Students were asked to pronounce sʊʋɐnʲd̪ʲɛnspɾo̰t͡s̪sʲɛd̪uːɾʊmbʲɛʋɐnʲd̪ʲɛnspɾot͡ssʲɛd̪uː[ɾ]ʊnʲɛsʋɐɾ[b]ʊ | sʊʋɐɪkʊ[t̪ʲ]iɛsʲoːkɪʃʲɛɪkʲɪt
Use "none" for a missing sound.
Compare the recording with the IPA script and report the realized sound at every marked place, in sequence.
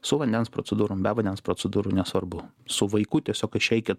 ɾ, b, t̪ʲ

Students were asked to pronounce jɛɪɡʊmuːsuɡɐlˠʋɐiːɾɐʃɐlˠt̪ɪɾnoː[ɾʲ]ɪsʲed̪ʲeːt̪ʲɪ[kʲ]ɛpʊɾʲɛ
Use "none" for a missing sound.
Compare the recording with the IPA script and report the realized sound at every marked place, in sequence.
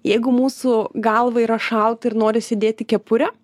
ɾʲ, kʲ

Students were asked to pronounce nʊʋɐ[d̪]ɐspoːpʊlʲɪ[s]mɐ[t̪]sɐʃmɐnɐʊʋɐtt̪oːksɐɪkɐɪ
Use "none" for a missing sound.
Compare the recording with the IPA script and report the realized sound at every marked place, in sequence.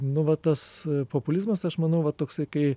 t̪, z, none

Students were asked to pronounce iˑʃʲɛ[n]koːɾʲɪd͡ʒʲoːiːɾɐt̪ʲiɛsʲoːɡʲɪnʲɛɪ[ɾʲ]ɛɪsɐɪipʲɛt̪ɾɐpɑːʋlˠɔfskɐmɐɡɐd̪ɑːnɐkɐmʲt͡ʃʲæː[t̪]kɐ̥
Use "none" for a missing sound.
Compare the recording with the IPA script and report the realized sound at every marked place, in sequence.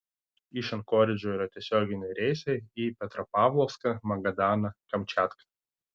n, ɾʲ, t̪

